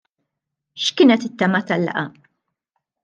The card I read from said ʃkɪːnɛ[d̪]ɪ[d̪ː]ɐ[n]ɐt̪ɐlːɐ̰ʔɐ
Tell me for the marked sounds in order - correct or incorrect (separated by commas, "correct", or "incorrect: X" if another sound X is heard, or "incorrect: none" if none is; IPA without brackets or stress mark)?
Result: incorrect: t̪, incorrect: t̪ː, incorrect: m